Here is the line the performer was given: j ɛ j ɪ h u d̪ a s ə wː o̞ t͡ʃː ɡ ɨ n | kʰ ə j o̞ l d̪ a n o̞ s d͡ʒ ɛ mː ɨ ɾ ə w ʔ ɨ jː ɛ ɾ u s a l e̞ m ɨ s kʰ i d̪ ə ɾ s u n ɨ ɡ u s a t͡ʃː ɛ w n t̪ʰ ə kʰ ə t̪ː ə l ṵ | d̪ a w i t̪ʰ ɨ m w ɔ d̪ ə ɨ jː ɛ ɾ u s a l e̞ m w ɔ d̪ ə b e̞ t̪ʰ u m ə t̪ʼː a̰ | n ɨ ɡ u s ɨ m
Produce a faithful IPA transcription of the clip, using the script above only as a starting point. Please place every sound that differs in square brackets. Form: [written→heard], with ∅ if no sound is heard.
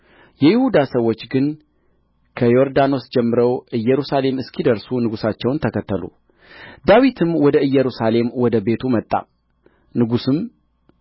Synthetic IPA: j ɛ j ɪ h u d̪ a s ə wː o̞ t͡ʃː ɡ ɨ n | kʰ ə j o̞ [l→ɾ] d̪ a n o̞ s d͡ʒ ɛ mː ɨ ɾ ə w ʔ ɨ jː ɛ ɾ u s a l e̞ m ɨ s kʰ i d̪ ə ɾ s u n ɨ ɡ u s a t͡ʃː ɛ w n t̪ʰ ə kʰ ə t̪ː ə l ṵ | d̪ a w i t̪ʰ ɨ m w ɔ d̪ ə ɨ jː ɛ ɾ u s a l e̞ m w ɔ d̪ ə b e̞ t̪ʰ u m ə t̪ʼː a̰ | n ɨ ɡ u s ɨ m